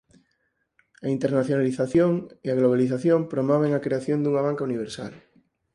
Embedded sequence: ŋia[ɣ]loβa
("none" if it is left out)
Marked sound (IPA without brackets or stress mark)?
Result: ɣ